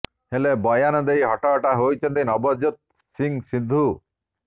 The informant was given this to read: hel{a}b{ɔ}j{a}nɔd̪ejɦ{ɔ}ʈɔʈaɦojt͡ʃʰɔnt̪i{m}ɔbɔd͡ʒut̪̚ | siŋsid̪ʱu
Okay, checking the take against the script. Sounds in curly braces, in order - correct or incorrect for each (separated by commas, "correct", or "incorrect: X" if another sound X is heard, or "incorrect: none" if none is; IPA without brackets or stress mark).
incorrect: e, correct, correct, correct, incorrect: n